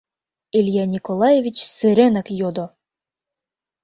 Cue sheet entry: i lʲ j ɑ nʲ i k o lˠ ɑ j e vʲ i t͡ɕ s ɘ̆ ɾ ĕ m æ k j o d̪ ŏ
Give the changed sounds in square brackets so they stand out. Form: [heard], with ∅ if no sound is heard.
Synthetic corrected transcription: i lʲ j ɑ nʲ i k o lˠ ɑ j e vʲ i t͡ɕ s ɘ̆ ɾ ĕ [n] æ k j o d̪ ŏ